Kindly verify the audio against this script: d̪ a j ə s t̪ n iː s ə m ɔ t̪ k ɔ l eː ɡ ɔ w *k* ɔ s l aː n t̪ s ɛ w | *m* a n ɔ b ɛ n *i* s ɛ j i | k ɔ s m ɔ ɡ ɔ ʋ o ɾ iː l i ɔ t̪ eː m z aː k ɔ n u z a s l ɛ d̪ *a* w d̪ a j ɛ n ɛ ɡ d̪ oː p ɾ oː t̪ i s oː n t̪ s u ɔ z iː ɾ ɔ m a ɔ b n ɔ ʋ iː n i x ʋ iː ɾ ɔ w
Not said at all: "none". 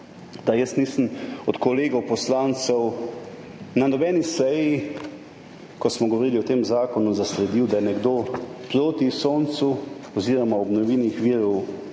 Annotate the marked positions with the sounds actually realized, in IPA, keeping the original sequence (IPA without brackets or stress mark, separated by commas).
p, n, i, i